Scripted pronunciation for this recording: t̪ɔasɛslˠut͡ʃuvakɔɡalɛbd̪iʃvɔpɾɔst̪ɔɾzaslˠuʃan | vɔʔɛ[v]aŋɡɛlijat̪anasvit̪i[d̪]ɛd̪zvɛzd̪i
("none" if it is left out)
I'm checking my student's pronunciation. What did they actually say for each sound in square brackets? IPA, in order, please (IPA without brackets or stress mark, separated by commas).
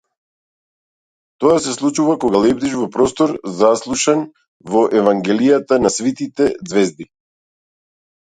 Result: v, t̪